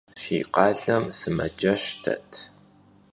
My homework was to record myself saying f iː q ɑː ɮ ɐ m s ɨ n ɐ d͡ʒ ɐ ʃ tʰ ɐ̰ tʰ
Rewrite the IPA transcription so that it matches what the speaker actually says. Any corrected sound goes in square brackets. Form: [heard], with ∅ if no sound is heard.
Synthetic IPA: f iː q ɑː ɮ ɐ m s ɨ [m] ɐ d͡ʒ ɐ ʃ tʰ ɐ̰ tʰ